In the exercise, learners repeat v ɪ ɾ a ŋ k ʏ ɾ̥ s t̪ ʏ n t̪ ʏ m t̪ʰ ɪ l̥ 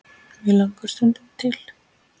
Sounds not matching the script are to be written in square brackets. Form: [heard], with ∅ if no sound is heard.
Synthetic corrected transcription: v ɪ [l] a ŋ k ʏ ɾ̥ s t̪ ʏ n t̪ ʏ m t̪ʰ ɪ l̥